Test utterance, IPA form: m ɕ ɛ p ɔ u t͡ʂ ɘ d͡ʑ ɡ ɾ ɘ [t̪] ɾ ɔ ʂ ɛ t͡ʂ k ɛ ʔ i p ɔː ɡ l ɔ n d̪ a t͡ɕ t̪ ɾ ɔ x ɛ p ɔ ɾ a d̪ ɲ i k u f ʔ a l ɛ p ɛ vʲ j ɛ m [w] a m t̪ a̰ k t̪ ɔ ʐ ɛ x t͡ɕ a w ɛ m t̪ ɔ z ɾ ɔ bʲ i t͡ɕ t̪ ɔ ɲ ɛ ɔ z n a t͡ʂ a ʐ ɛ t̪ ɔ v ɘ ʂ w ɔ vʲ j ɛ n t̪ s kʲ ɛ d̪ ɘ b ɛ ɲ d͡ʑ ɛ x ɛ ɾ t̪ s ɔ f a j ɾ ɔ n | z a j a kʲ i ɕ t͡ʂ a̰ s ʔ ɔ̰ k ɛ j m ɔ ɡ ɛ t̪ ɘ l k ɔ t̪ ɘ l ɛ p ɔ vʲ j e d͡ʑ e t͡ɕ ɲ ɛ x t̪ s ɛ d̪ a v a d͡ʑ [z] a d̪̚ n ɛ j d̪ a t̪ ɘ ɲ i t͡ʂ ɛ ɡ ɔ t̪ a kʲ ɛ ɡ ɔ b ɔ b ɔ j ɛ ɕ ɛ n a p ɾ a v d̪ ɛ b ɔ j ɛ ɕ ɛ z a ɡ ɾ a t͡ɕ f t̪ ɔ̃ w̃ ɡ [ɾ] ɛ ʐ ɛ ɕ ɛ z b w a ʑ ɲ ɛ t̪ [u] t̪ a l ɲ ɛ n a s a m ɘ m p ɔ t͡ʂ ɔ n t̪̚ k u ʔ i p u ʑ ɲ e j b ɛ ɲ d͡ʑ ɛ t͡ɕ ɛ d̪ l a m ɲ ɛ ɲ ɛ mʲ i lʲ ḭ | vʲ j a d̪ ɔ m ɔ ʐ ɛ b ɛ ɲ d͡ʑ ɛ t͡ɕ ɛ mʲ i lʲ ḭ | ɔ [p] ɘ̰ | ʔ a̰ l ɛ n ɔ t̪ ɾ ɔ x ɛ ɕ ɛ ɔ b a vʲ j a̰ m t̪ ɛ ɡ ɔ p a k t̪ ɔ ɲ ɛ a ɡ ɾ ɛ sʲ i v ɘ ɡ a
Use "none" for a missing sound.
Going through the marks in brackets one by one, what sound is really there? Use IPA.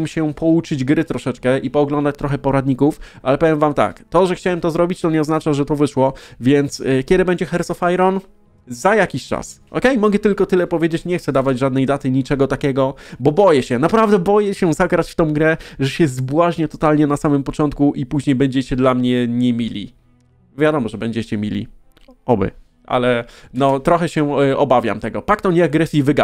t̪, v, ʐ, ɾ, ɔ, b

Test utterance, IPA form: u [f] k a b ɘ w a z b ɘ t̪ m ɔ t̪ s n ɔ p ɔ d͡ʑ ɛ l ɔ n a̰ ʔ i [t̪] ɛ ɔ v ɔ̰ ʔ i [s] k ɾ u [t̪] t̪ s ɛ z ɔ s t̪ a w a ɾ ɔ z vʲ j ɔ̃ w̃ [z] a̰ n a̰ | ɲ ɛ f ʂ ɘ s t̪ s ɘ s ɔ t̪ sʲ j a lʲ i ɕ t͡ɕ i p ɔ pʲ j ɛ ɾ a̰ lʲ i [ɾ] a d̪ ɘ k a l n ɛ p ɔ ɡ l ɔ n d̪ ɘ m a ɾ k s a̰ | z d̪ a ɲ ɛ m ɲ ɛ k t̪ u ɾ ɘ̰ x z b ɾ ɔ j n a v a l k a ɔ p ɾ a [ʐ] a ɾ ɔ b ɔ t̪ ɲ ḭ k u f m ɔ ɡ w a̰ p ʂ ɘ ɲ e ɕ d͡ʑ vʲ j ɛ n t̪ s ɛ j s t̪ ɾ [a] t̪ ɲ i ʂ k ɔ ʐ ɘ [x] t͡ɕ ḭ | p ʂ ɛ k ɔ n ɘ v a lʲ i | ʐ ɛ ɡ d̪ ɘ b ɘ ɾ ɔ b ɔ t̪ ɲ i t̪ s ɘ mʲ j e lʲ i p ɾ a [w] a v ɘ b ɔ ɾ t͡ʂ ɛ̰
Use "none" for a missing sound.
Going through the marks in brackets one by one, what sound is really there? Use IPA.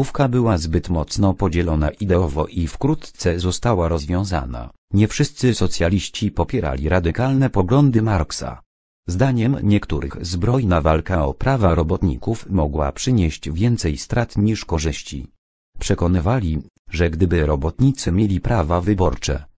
f, d̪, f, t̪, z, ɾ, v, a, ɕ, v

